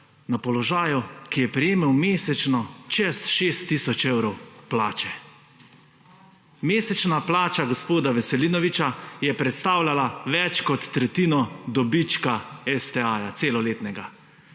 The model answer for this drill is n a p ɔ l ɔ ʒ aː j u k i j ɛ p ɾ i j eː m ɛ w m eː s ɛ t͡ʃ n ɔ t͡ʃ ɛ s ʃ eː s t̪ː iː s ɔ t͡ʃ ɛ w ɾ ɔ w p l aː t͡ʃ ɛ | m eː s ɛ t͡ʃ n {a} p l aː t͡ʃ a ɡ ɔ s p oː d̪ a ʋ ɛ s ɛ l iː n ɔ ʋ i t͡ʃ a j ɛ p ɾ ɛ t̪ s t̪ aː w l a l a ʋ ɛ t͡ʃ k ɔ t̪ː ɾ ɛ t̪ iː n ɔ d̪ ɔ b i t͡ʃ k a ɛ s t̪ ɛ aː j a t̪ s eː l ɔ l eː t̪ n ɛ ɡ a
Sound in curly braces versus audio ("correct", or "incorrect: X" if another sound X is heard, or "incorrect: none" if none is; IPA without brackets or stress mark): correct